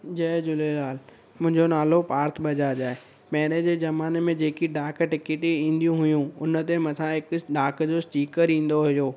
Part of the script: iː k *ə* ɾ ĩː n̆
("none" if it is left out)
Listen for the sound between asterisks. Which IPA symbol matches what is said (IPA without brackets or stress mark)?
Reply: ə